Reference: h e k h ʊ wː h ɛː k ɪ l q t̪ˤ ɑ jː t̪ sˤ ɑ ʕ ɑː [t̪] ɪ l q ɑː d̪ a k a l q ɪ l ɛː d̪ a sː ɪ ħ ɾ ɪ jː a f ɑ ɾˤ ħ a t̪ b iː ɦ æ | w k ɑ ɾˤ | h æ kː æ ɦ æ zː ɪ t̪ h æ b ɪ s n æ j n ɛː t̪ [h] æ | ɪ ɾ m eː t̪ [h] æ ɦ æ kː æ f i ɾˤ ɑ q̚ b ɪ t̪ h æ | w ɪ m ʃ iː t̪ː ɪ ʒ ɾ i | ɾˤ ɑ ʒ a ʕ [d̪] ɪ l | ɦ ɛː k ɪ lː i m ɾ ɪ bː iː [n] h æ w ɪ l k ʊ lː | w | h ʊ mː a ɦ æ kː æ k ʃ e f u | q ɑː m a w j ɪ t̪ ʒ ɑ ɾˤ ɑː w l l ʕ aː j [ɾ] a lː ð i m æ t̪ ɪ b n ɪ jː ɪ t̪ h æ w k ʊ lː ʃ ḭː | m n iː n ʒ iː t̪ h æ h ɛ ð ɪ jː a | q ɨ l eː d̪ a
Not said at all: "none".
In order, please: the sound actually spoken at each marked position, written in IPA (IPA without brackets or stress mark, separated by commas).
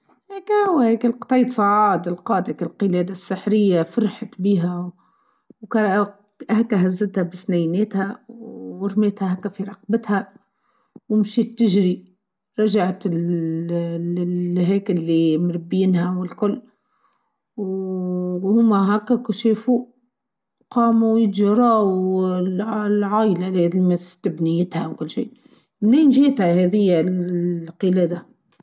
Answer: d̪, h, h, t̪, n, l